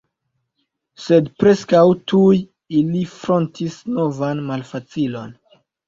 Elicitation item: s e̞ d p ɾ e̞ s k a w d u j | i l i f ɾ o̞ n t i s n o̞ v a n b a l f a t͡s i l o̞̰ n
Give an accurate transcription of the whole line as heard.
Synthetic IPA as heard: s e̞ d p ɾ e̞ s k a w t u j | i l i f ɾ o̞ n t i s n o̞ v a n m a l f a t͡s i l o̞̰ n